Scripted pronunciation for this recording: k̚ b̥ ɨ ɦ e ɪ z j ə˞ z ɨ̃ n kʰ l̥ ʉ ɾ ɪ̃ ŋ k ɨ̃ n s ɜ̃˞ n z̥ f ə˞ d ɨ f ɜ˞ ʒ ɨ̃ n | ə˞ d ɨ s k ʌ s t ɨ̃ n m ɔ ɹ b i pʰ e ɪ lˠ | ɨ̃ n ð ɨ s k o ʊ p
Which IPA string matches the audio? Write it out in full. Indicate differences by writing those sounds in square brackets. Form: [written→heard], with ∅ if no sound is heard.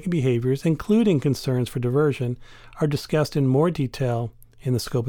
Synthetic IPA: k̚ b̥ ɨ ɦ e ɪ [z→v] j ə˞ z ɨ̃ n kʰ l̥ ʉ ɾ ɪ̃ ŋ k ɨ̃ n s ɜ̃˞ n z̥ f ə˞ d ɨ [f→v] ɜ˞ ʒ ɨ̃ n | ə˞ d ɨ s k ʌ s t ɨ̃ n m ɔ ɹ [b→d] i [pʰ→tʰ] e ɪ lˠ | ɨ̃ n ð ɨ s k o ʊ p